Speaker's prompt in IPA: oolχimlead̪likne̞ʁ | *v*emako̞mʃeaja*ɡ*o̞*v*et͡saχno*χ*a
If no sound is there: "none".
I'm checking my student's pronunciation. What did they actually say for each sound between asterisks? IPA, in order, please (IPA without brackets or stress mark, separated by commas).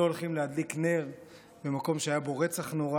b, b, ʁ, ʁ